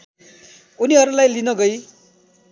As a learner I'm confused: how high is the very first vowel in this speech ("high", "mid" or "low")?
high